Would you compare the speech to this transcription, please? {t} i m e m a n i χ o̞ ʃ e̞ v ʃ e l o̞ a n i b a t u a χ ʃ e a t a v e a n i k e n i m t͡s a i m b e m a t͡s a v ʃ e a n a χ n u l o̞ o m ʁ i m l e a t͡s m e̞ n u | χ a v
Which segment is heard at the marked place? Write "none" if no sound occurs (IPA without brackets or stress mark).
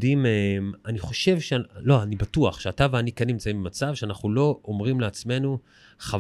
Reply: d